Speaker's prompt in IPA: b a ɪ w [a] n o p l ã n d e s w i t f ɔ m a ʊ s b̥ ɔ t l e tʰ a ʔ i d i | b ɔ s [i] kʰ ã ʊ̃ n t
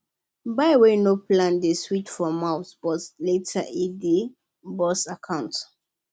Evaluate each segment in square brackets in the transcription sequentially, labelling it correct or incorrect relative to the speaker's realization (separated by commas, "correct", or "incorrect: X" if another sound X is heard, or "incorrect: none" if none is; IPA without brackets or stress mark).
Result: incorrect: e, incorrect: a